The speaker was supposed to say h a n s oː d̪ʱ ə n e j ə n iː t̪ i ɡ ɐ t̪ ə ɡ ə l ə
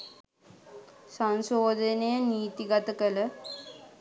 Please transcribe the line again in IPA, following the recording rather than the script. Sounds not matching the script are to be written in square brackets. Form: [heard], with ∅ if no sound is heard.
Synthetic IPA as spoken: [s] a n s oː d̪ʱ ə n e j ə n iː t̪ i ɡ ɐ t̪ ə [k] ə l ə